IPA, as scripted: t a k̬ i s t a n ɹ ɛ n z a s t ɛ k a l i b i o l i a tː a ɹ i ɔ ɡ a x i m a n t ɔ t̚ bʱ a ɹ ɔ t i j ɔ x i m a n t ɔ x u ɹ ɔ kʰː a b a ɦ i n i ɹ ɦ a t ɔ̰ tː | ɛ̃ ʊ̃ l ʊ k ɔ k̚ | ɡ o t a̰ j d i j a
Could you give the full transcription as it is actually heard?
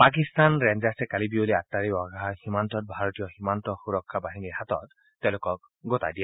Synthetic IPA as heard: p a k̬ i s t a n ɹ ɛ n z a s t ɛ k a l i b i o l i a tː a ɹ i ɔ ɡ a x i m a n t ɔ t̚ bʱ a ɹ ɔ t i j ɔ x i m a n t ɔ x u ɹ ɔ kʰː a b a ɦ i n i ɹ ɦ a t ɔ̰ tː | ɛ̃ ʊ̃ l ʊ k ɔ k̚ | ɡ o t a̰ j d i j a